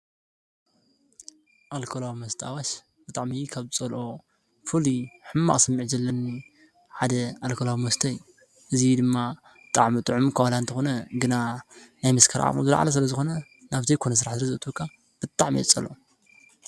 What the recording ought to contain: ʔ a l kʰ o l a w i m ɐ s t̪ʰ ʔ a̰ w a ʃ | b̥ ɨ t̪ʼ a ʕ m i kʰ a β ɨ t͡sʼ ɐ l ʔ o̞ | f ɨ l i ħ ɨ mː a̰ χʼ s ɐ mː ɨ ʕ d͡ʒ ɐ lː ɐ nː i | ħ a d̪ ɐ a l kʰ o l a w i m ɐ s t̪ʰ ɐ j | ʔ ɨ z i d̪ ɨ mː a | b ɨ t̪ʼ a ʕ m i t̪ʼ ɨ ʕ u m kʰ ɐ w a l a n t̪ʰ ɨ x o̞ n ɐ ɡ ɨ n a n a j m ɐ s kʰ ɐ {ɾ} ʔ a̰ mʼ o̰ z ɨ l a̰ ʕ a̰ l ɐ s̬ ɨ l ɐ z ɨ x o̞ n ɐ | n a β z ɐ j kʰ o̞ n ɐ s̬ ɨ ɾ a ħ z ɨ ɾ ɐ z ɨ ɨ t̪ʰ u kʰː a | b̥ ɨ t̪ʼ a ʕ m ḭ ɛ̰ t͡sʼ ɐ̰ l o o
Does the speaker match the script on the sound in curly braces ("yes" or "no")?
yes